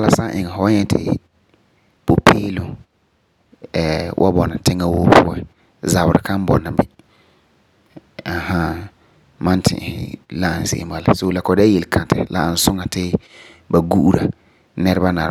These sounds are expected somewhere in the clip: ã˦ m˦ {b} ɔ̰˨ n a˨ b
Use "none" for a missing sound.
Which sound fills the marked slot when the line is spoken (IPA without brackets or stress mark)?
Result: b